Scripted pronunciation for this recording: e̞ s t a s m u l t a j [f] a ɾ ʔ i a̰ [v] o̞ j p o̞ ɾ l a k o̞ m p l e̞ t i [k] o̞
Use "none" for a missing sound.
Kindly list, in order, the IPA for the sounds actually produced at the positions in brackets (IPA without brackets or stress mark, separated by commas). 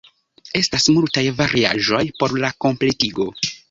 v, ʒ, ɡ